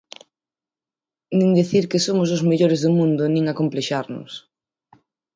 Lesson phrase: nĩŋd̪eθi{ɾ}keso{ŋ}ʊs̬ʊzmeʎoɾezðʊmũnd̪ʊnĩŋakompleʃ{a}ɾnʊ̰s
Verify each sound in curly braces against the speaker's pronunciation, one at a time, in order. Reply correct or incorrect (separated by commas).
correct, incorrect, correct